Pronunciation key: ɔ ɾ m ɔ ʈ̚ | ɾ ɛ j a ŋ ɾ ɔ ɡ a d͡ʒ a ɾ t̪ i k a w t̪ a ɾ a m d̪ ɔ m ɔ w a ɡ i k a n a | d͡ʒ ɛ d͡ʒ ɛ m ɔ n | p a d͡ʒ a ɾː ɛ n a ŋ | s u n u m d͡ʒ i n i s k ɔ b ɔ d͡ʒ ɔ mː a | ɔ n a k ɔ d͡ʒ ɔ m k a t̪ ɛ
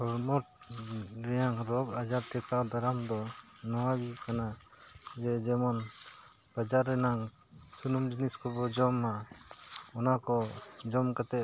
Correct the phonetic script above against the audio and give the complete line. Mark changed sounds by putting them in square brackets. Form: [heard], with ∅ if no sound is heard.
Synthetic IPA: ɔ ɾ m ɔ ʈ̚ | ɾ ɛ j a ŋ ɾ ɔ ɡ a d͡ʒ a ɾ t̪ [ɛ] k a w [d̪] a ɾ a m d̪ ɔ [n] ɔ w a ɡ i k a n a | d͡ʒ ɛ d͡ʒ ɛ m ɔ n | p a d͡ʒ a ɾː ɛ n a ŋ | s u n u m d͡ʒ i n i s k ɔ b ɔ d͡ʒ ɔ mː a | ɔ n a k ɔ d͡ʒ ɔ m k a t̪ ɛ